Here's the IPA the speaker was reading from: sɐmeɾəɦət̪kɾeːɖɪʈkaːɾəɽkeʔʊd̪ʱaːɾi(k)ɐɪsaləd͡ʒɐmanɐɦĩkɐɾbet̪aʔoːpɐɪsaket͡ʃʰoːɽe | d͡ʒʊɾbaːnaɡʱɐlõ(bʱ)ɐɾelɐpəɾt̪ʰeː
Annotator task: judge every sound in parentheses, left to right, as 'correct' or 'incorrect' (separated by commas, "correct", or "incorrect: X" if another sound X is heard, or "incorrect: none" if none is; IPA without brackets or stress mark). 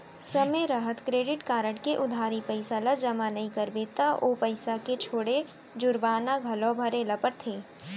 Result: incorrect: p, correct